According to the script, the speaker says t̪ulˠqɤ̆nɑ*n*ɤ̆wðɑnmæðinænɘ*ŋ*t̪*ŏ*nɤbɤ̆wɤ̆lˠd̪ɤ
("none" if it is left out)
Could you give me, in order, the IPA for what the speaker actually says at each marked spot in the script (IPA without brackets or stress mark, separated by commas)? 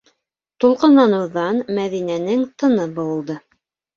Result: n, ŋ, ɤ̆